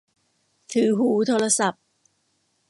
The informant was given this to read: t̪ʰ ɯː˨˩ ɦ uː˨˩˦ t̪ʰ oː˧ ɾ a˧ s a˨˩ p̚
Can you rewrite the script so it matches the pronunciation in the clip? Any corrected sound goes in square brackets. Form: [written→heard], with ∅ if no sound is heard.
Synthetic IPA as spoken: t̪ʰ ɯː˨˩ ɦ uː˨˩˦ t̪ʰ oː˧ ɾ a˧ s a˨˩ p̚